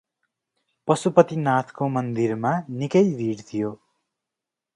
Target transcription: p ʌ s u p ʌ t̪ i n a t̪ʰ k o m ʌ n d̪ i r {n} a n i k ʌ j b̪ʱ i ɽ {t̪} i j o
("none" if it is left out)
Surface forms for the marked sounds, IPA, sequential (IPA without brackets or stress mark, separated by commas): m, t̪ʰ